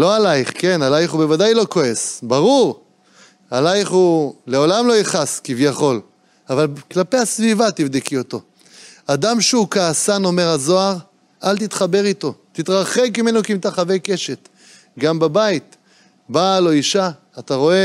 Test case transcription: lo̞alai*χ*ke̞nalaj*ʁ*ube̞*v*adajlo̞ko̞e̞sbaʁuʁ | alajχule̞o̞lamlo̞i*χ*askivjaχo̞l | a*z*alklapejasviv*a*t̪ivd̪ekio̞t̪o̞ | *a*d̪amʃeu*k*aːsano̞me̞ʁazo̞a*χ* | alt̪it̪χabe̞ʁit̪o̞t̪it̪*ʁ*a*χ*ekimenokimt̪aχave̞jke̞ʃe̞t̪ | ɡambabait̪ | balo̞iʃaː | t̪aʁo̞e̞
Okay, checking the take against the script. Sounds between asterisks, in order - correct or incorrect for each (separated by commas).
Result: correct, incorrect, correct, correct, incorrect, correct, correct, correct, incorrect, correct, correct